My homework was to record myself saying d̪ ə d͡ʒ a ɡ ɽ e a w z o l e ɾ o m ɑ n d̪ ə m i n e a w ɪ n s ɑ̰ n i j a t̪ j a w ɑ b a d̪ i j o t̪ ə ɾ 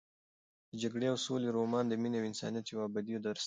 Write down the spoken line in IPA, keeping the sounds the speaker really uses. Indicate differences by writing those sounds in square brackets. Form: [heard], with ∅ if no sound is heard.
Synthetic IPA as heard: d̪ ə d͡ʒ a ɡ ɽ e a w [s] o l e ɾ o m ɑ n d̪ ə m i n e a w ɪ n s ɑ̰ n i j a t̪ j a w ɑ b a d̪ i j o [d̪] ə ɾ